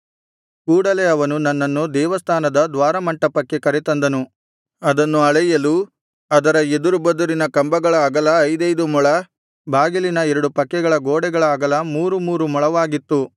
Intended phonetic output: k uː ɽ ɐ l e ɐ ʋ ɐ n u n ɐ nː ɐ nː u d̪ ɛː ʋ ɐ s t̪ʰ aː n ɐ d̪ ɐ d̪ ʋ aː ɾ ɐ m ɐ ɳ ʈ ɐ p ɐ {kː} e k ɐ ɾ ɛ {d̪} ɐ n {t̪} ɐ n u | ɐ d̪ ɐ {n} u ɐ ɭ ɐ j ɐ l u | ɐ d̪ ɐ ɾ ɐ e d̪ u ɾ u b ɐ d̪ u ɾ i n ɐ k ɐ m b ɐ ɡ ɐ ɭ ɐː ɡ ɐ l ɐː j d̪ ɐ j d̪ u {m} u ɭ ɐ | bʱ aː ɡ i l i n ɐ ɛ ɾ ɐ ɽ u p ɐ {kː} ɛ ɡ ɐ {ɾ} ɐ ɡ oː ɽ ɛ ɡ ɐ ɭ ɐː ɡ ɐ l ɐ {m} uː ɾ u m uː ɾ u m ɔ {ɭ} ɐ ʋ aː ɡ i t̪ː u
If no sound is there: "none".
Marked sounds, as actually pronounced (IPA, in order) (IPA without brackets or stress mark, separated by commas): kː, t̪, d̪, nː, m, kː, ɭ, m, ɭ